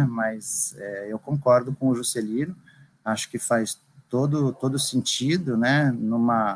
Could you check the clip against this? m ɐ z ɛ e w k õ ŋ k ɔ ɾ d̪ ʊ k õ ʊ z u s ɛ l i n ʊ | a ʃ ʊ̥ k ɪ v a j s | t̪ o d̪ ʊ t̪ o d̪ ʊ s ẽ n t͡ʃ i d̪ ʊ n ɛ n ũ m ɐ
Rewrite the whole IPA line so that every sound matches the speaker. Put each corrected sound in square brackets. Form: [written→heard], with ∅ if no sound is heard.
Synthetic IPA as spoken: m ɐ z ɛ e w k õ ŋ k ɔ ɾ d̪ ʊ k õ ʊ [z→ʒ] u s [ɛ→e] l i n ʊ | a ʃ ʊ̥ k ɪ [v→f] a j s | t̪ o d̪ ʊ t̪ o d̪ ʊ s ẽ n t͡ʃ i d̪ ʊ n ɛ n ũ m ɐ